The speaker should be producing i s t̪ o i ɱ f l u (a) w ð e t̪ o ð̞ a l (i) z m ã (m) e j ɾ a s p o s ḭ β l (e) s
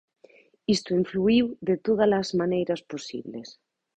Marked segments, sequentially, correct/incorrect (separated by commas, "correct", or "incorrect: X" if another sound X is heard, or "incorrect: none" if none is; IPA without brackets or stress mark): incorrect: i, incorrect: a, incorrect: n, correct